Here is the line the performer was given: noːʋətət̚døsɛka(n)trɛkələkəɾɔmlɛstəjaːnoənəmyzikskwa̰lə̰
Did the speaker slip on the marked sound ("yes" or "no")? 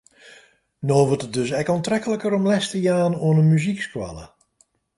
no